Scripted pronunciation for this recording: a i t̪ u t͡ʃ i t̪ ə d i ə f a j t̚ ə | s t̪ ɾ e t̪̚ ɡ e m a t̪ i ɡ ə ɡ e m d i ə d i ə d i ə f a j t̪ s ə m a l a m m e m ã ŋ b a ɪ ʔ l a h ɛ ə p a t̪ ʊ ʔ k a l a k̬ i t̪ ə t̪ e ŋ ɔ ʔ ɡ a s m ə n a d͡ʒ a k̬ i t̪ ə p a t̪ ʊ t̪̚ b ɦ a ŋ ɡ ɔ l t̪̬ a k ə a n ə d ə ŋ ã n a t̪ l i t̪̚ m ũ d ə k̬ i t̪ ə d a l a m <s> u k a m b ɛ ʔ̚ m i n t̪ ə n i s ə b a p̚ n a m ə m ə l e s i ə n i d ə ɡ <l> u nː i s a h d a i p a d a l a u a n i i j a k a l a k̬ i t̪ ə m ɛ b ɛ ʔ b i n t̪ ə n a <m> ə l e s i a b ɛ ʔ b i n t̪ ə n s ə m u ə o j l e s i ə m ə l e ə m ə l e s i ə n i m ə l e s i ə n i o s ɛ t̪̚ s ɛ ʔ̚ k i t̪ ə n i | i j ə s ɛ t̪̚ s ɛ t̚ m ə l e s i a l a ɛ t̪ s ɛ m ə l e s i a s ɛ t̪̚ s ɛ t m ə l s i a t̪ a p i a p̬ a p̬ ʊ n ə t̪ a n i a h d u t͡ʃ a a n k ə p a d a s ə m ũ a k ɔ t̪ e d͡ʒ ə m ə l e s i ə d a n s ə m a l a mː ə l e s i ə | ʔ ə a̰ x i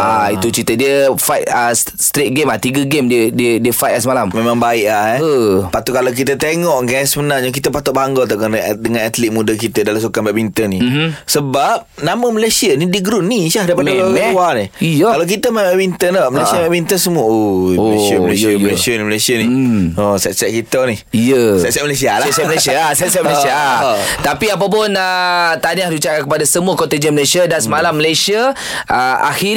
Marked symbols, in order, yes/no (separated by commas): yes, no, yes